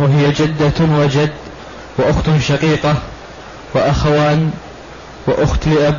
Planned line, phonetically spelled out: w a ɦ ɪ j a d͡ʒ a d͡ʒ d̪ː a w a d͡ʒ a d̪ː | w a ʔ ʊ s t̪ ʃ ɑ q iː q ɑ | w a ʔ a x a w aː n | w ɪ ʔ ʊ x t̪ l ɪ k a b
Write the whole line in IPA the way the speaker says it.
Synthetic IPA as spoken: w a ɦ ɪ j a d͡ʒ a d̪ː a w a d͡ʒ a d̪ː | w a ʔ ʊ x t̪ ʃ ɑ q iː q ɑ | w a ʔ a x a w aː n | w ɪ ʔ ʊ x t̪ l ɪ ʔ a b